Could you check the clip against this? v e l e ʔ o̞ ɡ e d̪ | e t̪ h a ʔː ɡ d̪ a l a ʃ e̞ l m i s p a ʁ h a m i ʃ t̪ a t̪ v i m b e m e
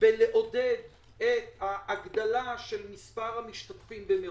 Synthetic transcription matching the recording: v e l e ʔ o̞ d e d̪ | e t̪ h a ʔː ɡ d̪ a l a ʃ e̞ l m i s p a ʁ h a m i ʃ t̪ a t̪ f i m b e m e